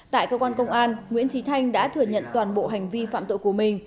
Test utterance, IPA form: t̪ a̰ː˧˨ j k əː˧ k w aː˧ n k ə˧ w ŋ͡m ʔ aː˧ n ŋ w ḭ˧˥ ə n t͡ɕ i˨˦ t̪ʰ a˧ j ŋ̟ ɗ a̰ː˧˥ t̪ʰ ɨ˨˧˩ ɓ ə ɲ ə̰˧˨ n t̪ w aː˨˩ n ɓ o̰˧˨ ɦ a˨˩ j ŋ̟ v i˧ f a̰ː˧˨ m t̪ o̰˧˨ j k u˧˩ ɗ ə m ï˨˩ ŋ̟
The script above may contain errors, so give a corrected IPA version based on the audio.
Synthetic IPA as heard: t̪ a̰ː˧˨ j k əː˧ k w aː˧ n k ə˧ w ŋ͡m ʔ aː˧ n ŋ w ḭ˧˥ ə n t͡ɕ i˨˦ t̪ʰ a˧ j ŋ̟ ɗ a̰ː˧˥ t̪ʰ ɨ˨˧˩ ə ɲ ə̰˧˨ n t̪ w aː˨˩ n ɓ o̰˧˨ ɦ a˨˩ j ŋ̟ v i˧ f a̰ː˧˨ m t̪ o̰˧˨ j k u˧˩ ə m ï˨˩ ŋ̟